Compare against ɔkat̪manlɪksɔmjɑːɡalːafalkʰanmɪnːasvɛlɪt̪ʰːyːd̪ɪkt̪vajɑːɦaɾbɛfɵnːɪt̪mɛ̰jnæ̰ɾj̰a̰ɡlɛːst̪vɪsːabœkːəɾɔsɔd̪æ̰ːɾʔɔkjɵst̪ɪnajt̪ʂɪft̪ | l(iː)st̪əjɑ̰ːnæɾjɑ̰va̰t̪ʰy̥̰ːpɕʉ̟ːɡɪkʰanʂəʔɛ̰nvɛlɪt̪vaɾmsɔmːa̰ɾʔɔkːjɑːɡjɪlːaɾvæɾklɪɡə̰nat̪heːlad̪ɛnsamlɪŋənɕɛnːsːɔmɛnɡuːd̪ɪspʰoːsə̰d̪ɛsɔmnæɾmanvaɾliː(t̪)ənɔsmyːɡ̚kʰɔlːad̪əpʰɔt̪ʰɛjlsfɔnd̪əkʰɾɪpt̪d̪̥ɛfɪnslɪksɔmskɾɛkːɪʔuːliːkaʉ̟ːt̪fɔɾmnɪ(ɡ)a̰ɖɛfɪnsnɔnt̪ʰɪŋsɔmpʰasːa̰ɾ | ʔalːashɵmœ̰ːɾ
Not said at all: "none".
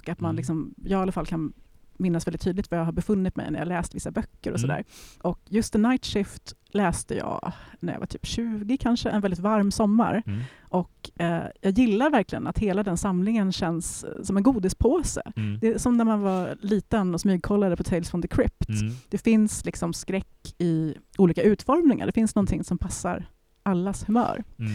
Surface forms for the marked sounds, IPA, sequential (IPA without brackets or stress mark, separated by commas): ɛː, t̪, ŋ